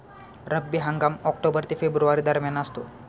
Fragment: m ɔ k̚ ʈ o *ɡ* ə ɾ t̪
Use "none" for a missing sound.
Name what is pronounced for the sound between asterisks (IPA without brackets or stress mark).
b